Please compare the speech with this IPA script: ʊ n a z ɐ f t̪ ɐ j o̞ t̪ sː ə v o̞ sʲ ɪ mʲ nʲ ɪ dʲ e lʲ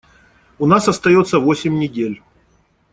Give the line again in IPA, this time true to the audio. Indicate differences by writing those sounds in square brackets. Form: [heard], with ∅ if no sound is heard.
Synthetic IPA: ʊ n a [s] ɐ [s] t̪ ɐ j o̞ t̪ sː ə v o̞ sʲ ɪ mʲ nʲ ɪ dʲ e lʲ

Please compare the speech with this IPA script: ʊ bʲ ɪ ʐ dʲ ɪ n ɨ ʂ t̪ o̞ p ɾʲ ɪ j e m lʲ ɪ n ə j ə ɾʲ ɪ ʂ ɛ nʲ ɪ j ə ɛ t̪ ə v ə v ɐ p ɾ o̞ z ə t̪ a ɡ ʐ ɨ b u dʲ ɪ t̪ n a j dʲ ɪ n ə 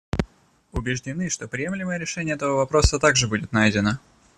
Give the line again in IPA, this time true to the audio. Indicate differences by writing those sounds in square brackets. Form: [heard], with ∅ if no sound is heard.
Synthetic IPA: ʊ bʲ ɪ ʐ dʲ ɪ n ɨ ʂ t̪ o̞ p ɾʲ ɪ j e m lʲ ɪ [m] ə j ə ɾʲ ɪ ʂ ɛ nʲ ɪ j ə ɛ t̪ ə v ə v ɐ p ɾ o̞ [s] ə t̪ a ɡ ʐ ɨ b u dʲ ɪ t̪ n a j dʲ ɪ n ə

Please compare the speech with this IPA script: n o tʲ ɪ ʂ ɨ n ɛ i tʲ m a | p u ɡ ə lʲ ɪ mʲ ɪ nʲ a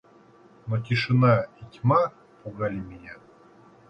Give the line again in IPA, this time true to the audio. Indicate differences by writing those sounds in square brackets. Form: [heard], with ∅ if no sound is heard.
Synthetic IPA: n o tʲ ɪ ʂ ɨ n [a] i tʲ m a | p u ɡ [a] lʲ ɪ mʲ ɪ nʲ a

